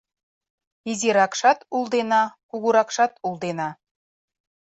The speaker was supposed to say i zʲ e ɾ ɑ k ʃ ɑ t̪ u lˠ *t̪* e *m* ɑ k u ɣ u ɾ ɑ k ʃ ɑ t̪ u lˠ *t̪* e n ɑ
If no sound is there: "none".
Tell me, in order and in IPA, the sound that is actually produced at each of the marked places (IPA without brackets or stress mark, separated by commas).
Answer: d̪, n, d̪